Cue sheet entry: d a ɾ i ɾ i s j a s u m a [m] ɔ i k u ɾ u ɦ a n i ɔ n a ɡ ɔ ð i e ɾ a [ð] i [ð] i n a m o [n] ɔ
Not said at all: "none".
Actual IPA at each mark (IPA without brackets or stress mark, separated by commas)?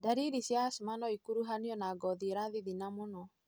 n, ð, ð, n